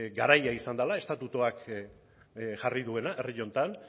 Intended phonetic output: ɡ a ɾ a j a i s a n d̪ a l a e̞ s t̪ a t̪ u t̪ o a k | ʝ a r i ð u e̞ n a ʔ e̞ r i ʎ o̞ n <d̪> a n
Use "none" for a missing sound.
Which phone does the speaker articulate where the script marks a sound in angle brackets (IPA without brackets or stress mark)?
t̪